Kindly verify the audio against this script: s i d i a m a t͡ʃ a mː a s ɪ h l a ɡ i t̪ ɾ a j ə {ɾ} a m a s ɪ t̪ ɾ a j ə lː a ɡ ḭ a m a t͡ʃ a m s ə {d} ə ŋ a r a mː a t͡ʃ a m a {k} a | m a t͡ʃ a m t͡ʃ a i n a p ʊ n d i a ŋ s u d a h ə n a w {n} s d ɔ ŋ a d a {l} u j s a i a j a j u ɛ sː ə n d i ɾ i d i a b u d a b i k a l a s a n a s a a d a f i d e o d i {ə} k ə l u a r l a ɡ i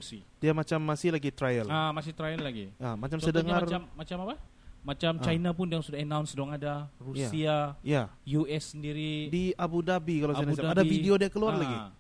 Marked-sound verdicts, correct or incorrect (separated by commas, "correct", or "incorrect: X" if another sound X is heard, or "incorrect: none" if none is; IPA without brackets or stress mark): incorrect: l, correct, incorrect: p, correct, incorrect: r, incorrect: a